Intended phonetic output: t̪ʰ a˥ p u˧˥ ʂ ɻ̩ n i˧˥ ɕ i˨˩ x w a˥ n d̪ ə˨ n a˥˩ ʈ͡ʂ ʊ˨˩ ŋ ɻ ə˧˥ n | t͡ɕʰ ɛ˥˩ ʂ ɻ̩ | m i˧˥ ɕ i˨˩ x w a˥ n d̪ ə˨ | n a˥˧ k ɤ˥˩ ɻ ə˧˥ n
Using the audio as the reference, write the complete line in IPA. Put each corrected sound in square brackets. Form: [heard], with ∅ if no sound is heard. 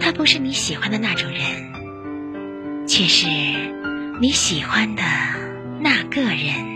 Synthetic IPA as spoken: t̪ʰ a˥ p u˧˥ ʂ ɻ̩ n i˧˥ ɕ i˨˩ x w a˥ n d̪ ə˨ n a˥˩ ʈ͡ʂ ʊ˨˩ ŋ ɻ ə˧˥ n | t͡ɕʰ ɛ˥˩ ʂ ɻ̩ | [n] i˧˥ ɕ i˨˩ x w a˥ n d̪ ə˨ | n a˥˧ k ɤ˥˩ ɻ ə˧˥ n